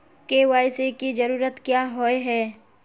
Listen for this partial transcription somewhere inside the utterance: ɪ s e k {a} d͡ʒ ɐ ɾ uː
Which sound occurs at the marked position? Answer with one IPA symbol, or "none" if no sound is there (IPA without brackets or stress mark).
i